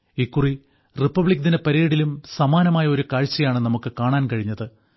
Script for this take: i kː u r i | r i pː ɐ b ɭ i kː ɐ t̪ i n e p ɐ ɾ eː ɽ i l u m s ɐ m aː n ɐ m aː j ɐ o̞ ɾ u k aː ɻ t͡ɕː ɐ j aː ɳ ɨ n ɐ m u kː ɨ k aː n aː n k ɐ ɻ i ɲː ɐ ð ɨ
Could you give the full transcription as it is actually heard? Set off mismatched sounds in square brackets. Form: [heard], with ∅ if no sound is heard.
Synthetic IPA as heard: i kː u r i | r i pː ɐ b ɭ i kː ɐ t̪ i n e p ɐ ɾ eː ɽ i l u m s ɐ m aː n ɐ m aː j ɐ o̞ ɾ u k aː ɻ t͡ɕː ɐ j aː ɳ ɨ n ɐ m u kː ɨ k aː [ɳ] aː n k ɐ ɻ i ɲː ɐ ð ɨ